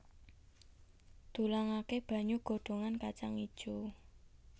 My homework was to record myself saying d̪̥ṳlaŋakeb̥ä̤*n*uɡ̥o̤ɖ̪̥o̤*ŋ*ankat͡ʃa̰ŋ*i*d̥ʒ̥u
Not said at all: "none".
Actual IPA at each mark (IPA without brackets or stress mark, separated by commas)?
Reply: ɲ, ŋ, i